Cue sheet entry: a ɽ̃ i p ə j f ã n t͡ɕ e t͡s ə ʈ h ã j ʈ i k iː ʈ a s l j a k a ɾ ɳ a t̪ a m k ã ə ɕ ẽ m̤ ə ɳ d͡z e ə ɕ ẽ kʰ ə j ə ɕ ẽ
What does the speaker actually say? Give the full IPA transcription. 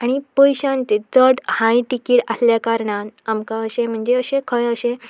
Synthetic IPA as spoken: a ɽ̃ i p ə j ɕ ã n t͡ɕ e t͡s ə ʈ h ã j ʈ i k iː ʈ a s l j a k a ɾ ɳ a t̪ a m k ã ə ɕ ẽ m̤ ə ɳ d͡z e ə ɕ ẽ kʰ ə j ə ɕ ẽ